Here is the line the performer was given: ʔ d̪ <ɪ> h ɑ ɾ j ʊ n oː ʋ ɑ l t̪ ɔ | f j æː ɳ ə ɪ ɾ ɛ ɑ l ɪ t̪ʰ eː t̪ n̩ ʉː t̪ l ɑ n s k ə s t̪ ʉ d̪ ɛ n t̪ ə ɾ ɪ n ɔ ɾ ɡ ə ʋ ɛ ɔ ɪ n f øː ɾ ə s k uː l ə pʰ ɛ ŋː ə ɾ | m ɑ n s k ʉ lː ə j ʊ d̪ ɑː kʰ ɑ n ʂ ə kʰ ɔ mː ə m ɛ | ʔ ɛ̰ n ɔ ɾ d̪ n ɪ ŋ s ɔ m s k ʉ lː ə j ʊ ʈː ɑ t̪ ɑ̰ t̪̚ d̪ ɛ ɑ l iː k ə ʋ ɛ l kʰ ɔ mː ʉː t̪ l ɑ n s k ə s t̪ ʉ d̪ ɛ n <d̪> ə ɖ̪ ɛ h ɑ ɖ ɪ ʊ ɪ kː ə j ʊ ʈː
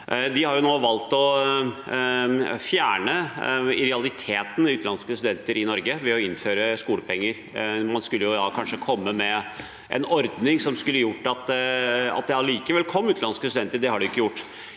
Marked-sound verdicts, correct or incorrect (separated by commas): correct, incorrect